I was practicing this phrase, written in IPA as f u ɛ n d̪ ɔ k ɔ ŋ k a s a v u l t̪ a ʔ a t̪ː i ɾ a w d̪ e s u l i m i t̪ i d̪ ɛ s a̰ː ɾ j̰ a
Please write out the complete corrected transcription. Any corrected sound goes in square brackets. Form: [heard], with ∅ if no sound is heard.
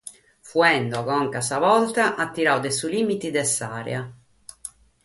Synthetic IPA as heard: f u ɛ n d̪ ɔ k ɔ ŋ k a s a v [ɔ] l t̪ a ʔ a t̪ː i ɾ a w d̪ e s u l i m i t̪ i d̪ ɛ s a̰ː ɾ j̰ a